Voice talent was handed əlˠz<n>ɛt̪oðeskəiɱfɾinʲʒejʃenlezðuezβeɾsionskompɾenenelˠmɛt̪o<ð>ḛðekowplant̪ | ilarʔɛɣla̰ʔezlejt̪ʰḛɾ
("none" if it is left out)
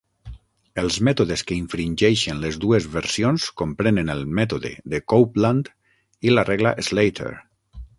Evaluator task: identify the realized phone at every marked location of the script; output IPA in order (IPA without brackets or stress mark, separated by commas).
m, ð